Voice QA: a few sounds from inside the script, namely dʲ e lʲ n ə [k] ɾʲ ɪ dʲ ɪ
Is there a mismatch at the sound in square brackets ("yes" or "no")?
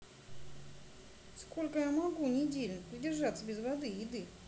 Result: yes